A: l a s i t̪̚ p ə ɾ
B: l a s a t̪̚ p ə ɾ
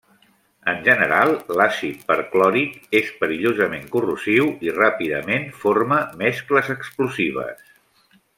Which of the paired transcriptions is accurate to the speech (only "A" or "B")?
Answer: A